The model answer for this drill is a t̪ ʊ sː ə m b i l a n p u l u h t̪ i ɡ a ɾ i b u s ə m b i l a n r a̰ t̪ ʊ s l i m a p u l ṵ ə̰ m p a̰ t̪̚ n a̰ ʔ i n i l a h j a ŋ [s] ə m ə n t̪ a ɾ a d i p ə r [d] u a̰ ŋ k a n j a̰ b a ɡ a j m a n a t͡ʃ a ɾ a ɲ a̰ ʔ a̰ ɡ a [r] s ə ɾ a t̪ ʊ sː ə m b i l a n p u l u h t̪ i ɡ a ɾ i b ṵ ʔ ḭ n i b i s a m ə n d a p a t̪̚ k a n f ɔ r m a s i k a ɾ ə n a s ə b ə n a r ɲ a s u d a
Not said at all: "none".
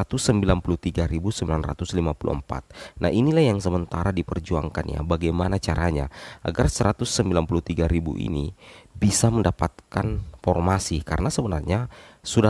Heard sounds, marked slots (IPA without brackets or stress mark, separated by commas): s, d͡ʒ, r